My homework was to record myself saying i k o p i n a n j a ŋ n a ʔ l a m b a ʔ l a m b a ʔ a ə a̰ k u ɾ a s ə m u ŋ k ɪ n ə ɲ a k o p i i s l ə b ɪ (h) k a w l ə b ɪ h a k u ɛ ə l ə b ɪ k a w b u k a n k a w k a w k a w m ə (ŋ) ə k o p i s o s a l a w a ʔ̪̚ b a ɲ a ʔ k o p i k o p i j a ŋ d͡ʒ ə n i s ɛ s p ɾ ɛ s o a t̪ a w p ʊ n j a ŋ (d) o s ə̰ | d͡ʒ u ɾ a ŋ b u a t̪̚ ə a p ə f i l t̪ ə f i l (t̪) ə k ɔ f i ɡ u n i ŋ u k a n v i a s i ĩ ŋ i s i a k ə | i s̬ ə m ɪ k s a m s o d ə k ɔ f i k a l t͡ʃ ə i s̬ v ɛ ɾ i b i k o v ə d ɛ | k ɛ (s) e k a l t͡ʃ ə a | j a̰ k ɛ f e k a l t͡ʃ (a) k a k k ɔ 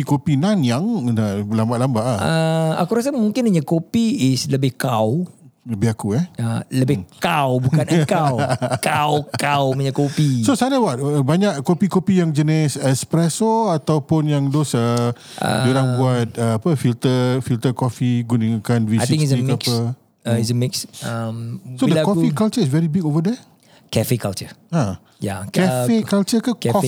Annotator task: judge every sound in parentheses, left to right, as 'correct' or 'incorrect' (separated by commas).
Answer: correct, incorrect, correct, correct, incorrect, incorrect